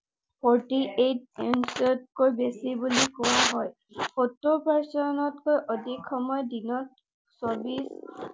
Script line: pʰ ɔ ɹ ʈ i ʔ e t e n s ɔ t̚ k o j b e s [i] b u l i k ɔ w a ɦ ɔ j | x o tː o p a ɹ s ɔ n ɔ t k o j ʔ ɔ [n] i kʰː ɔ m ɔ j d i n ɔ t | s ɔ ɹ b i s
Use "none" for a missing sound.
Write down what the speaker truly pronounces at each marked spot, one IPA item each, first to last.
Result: i, d

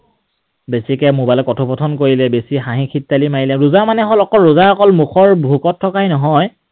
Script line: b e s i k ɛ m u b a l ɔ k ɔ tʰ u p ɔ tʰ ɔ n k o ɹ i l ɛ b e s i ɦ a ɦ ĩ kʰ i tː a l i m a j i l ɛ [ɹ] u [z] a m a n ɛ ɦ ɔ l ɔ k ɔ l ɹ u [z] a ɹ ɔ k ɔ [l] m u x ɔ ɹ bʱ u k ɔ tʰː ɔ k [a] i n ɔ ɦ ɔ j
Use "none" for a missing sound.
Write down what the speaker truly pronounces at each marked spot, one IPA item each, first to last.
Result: ɹ, z, z, l, a

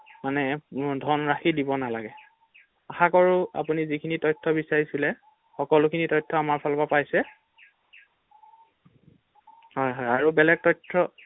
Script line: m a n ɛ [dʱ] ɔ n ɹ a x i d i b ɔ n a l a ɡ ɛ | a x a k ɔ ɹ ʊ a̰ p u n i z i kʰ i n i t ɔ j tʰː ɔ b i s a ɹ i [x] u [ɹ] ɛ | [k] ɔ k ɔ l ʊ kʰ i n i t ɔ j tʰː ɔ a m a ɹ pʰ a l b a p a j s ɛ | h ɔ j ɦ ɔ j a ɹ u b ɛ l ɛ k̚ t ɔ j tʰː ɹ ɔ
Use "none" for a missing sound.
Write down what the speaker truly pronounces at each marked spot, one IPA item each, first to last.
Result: dʱ, s, l, x

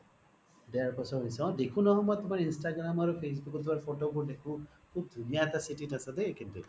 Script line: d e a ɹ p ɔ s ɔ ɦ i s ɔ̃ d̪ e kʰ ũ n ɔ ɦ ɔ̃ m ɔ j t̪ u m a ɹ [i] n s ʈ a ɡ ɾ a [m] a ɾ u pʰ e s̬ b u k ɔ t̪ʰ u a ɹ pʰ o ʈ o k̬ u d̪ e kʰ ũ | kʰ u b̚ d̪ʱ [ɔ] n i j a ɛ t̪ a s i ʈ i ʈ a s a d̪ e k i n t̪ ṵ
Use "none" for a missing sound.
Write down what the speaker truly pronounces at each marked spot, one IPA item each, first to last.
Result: i, m, u

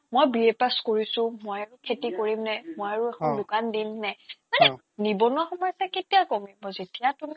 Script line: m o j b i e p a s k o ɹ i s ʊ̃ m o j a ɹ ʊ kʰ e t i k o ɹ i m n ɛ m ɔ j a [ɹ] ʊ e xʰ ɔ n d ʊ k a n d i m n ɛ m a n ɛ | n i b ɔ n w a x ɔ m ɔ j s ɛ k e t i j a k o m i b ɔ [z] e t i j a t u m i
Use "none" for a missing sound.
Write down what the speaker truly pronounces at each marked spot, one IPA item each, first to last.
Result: ɹ, z

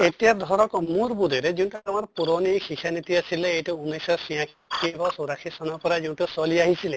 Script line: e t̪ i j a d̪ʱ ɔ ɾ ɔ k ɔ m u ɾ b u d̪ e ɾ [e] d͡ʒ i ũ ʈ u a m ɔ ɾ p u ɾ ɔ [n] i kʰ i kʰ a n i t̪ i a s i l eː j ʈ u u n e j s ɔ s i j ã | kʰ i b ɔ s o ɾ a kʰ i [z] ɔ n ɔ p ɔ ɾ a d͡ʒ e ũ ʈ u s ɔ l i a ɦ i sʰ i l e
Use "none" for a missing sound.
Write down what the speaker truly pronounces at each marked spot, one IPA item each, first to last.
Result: e, n, s

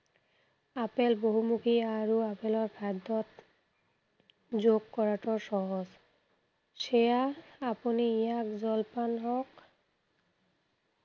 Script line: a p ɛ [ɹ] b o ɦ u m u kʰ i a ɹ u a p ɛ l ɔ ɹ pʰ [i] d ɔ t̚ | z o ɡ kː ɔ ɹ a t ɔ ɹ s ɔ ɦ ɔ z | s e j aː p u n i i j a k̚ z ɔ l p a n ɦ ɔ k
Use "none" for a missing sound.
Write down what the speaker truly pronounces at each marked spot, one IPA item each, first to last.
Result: l, a

